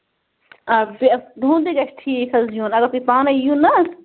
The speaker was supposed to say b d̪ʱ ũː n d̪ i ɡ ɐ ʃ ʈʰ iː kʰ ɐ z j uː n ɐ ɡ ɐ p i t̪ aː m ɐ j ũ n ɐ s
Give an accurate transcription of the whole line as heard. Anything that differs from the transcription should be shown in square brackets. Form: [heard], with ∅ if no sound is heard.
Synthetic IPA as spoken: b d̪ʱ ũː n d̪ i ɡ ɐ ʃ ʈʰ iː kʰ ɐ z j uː n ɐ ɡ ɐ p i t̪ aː [n] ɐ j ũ n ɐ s